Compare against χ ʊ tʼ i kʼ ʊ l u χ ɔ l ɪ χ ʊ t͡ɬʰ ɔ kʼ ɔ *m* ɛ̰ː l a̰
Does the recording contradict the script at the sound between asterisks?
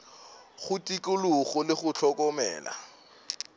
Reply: no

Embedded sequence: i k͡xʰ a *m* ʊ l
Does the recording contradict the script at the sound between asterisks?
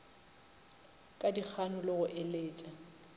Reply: yes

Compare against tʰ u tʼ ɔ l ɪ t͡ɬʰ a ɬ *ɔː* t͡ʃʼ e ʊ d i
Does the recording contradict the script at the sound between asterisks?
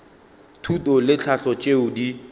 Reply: yes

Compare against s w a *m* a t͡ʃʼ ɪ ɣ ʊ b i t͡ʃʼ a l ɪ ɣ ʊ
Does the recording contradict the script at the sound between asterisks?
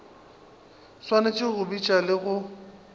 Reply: yes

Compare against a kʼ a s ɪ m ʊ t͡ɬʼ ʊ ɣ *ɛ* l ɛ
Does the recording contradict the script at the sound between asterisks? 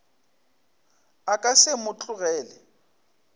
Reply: yes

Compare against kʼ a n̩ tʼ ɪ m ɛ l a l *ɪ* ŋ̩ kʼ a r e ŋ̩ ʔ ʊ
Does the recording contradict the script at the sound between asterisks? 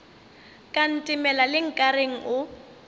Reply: no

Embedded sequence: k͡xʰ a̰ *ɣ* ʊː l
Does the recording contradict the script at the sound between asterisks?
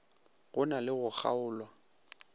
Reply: yes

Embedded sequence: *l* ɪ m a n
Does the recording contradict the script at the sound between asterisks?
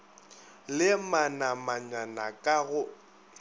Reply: no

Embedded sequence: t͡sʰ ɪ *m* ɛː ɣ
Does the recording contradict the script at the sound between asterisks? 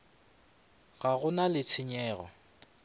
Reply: yes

